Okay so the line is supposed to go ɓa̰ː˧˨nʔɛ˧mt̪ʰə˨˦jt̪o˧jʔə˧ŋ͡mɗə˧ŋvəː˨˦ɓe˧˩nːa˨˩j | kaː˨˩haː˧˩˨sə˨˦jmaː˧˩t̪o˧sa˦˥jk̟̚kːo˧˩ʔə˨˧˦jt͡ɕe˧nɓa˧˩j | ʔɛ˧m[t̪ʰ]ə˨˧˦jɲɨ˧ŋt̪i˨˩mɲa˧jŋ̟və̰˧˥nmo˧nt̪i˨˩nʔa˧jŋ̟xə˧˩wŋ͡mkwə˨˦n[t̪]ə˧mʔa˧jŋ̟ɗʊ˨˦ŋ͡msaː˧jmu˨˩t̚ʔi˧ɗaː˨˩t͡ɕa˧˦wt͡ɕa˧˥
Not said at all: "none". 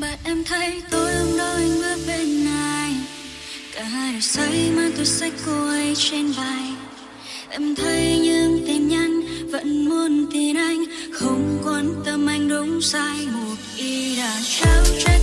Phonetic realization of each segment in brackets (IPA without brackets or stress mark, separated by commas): t̪ʰ, t̪